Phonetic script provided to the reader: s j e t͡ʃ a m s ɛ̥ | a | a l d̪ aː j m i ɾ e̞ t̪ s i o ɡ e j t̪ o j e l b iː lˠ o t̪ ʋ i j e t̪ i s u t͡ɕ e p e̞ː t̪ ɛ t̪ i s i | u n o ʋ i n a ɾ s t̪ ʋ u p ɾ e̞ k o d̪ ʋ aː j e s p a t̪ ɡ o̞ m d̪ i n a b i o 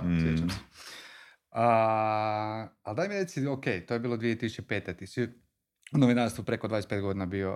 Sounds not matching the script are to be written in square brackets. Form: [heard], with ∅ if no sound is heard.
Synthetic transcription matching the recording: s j e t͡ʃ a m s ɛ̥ | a | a l d̪ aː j m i ɾ e̞ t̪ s i o [k] e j t̪ o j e [∅] b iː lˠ o [d̪] ʋ i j e t̪ i s u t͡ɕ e p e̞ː t̪ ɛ t̪ i s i | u n o ʋ i n a ɾ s t̪ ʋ u p ɾ e̞ k o d̪ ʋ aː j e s p [e] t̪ ɡ o̞ [∅] d̪ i n a b i o